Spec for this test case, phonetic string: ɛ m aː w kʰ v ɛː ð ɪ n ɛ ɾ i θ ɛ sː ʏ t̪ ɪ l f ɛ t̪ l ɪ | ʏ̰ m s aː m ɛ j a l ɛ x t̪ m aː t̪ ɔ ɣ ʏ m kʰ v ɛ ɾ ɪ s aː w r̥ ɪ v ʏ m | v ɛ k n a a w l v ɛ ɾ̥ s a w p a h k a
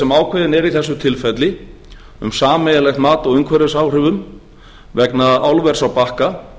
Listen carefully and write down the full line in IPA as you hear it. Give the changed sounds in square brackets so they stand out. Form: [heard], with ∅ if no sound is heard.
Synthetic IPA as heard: ɛ m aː w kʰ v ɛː ð ɪ n ɛ ɾ i θ ɛ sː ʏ [t̪ʰ] ɪ l f ɛ t̪ l ɪ | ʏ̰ m s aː m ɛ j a l ɛ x t̪ m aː t̪ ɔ ɣ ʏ [ŋ] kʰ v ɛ ɾ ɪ s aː w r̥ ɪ v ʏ m | v ɛ k n a a w l v ɛ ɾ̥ s a w p a h k a

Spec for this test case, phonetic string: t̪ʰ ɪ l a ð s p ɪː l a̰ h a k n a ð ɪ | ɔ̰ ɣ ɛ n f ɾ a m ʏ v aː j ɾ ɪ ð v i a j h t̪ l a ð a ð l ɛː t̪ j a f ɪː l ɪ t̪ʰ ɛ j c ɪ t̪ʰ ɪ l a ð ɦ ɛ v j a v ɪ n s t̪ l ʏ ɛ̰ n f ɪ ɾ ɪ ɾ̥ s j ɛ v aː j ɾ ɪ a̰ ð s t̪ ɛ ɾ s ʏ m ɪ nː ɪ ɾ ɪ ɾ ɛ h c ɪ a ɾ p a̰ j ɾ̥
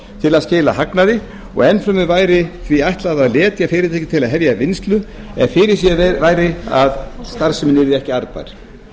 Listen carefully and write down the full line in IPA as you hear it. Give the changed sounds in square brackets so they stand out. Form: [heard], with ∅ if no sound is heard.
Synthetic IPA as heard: t̪ʰ ɪ l a ð s [c] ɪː l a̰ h a k n a ð ɪ | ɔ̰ ɣ ɛ n f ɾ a m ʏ v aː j ɾ ɪ [θ] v i a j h t̪ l a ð a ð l ɛː t̪ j a f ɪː [ɾ] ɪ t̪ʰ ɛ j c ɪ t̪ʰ ɪ l a ð ɦ ɛ v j a v ɪ n s t̪ l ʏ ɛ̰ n f ɪ ɾ ɪ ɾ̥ s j ɛ v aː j ɾ ɪ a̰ ð s t̪ [a] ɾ s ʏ m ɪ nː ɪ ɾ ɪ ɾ ɛ h c ɪ a ɾ p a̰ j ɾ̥

